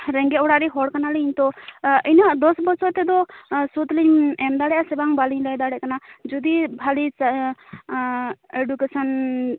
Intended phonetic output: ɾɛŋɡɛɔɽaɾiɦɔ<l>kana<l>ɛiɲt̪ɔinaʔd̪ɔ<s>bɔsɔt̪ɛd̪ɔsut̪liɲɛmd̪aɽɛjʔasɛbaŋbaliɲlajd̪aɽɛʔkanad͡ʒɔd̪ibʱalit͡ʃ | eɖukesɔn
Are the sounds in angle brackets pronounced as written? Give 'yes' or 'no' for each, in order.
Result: no, yes, yes

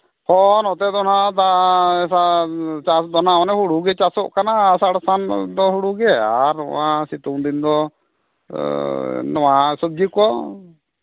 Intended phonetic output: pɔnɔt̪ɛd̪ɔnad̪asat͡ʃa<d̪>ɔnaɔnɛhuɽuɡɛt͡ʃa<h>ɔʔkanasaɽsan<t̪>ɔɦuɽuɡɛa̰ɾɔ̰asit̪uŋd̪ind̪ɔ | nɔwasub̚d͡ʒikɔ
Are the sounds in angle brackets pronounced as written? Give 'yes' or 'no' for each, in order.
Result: yes, no, no

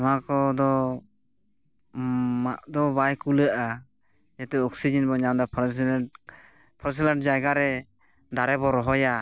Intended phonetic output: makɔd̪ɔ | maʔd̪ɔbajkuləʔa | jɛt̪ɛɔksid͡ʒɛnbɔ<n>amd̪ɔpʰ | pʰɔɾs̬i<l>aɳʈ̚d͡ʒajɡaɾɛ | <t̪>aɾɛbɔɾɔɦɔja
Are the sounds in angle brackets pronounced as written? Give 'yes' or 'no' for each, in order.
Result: no, yes, no

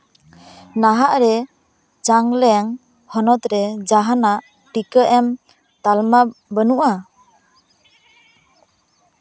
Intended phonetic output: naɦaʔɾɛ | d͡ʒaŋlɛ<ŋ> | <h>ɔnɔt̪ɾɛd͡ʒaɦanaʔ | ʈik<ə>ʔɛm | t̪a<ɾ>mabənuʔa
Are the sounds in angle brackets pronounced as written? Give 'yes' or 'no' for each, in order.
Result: yes, yes, yes, no

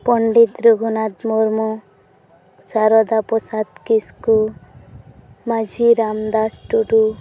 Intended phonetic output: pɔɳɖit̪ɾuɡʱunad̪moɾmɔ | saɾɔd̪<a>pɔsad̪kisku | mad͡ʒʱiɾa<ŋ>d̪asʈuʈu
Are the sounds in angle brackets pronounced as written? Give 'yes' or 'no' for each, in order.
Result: yes, no

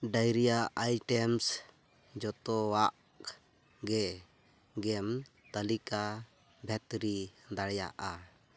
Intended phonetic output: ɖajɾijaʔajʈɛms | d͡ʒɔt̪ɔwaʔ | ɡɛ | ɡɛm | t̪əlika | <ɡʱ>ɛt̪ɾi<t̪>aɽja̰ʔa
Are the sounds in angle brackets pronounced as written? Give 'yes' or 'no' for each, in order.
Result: no, no

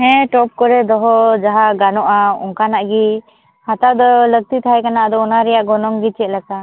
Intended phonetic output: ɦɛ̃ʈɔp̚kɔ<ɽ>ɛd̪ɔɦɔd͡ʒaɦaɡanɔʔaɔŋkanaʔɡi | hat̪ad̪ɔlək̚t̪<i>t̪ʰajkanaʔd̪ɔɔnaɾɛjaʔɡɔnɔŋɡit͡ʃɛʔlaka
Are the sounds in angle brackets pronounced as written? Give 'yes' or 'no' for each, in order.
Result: no, yes

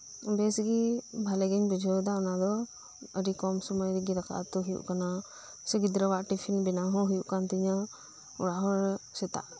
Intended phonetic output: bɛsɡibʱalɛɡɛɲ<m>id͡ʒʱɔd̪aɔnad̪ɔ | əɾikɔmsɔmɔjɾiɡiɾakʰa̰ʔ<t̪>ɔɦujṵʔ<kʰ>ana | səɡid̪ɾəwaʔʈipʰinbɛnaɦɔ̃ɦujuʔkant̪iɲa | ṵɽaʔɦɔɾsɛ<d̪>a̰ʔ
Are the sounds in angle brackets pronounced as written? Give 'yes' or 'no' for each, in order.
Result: no, yes, no, no

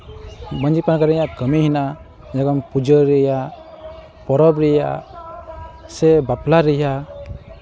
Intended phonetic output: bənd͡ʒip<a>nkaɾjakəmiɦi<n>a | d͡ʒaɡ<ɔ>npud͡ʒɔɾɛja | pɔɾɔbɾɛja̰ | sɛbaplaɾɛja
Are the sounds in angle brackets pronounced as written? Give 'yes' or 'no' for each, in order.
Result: yes, yes, yes

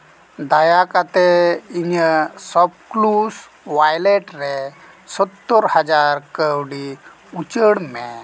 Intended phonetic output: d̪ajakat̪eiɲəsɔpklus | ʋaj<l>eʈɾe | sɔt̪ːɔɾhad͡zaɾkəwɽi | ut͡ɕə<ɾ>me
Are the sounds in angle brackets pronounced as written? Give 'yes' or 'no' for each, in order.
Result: yes, no

